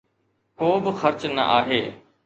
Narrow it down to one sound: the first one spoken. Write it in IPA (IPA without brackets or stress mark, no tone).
k